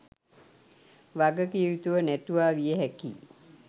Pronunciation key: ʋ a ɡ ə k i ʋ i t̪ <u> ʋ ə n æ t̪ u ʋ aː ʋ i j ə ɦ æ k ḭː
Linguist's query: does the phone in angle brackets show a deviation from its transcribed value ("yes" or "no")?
no